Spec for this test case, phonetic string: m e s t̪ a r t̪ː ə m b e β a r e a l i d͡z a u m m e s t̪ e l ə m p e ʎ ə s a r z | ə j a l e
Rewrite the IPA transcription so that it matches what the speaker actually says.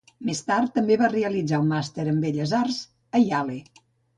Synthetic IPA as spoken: m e s t̪ a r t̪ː ə m b e β a r e ə l i d͡z a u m m a s t̪ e ɾ ə m b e ʎ ə z a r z | ə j a l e